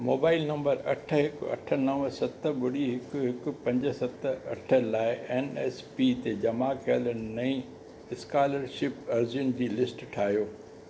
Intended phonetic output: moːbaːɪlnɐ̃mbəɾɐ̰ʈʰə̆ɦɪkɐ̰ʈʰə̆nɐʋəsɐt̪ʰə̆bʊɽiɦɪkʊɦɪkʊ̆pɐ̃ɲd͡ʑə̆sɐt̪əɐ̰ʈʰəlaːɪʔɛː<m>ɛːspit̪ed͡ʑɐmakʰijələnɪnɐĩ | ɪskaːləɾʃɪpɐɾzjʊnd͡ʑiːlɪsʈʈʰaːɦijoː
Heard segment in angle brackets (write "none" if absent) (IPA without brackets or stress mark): n